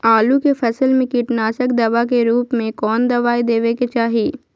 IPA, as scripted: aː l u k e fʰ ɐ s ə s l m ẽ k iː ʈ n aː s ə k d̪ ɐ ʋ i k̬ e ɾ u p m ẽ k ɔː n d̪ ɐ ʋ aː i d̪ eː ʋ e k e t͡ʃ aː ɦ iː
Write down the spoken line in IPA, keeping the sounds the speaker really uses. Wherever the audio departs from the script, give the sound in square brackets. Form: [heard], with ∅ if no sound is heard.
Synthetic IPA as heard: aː l u k e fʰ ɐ s ə [∅] l m ẽ k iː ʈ n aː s ə k d̪ ɐ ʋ [a] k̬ e ɾ [uː] p m ẽ k ɔː n d̪ ɐ ʋ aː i d̪ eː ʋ e k e t͡ʃ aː ɦ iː